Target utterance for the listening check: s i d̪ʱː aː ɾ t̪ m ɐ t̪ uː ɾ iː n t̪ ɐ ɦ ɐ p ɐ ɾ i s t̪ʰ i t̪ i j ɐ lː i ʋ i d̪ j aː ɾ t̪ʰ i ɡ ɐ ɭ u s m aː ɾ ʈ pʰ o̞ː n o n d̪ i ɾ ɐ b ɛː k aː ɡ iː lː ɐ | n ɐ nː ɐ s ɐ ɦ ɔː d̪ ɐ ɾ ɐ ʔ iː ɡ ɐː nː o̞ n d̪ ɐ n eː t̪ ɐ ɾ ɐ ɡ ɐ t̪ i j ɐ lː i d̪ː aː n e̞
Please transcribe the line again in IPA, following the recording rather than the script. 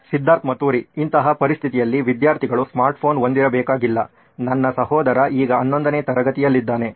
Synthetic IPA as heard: s i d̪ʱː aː ɾ t̪ m ɐ t̪ uː ɾ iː n t̪ ɐ ɦ ɐ p ɐ ɾ i s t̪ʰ i t̪ i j ɐ lː i ʋ i d̪ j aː ɾ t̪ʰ i ɡ ɐ ɭ u s m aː ɾ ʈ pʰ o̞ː n o n d̪ i ɾ ɐ b ɛː k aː ɡ i lː ɐ | n ɐ nː ɐ s ɐ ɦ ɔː d̪ ɐ ɾ ɐ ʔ iː ɡ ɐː nː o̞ n d̪ ɐ n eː t̪ ɐ ɾ ɐ ɡ ɐ t̪ i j ɐ lː i d̪ː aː n e̞